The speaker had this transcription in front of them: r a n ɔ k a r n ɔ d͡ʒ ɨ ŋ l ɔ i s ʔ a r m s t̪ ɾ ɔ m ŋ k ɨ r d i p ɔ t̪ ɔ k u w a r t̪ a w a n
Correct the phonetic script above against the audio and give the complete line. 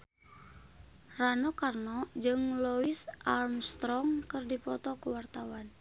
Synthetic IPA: r a n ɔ k a r n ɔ d͡ʒ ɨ ŋ l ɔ i s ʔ a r m s t̪ ɾ ɔ ŋ k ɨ r d i p ɔ t̪ ɔ k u w a r t̪ a w a n